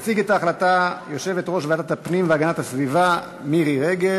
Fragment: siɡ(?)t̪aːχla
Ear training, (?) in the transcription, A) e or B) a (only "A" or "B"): A